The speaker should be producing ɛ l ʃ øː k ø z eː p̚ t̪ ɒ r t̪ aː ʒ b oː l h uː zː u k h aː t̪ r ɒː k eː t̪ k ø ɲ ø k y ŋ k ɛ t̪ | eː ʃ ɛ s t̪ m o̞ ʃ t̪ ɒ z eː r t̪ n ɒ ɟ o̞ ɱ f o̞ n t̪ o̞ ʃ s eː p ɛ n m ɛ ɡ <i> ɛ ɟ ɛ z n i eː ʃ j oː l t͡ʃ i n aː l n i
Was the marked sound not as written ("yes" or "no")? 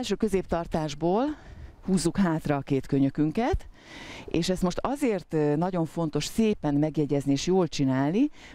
yes